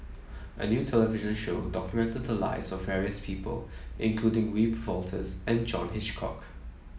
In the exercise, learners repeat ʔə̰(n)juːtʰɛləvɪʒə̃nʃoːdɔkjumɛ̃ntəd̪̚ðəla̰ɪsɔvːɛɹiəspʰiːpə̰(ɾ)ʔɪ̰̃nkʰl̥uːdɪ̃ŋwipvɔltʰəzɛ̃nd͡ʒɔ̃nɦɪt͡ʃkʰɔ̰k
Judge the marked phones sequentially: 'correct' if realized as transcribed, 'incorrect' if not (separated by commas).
correct, incorrect